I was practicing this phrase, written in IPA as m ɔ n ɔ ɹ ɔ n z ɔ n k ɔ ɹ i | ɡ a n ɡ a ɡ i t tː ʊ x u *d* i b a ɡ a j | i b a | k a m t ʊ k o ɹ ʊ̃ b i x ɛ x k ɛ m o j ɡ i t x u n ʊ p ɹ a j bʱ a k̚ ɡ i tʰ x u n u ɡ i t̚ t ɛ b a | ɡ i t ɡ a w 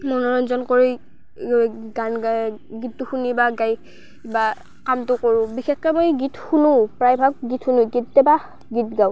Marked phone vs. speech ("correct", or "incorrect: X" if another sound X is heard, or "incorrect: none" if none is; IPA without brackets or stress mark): incorrect: n